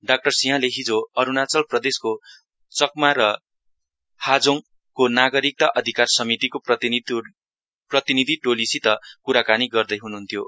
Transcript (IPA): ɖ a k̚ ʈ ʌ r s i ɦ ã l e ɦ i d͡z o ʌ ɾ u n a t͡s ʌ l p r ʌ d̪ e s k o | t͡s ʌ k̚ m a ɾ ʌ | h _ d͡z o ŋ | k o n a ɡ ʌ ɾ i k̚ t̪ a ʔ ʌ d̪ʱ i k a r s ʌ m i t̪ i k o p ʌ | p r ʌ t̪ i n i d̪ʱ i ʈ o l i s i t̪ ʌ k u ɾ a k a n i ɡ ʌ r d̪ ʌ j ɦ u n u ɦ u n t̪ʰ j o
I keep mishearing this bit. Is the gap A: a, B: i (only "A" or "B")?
A